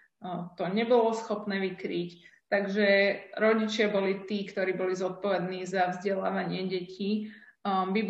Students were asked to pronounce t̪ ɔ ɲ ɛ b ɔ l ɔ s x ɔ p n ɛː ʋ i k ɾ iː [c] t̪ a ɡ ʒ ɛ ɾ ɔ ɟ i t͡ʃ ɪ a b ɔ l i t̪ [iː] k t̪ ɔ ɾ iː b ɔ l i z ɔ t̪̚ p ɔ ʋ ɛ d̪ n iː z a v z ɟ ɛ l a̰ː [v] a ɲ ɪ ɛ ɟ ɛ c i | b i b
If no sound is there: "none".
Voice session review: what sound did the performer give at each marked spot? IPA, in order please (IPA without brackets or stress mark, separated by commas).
c, iː, ʋ